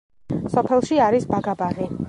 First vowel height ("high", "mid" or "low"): mid